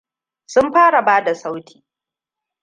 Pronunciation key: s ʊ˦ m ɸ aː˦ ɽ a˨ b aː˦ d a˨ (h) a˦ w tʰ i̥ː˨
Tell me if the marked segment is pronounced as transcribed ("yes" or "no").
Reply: no